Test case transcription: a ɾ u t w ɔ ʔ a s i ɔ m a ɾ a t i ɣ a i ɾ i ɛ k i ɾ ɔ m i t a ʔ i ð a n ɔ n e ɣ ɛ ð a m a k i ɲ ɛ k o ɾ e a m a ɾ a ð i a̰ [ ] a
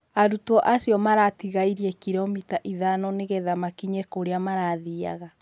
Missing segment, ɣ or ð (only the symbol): ɣ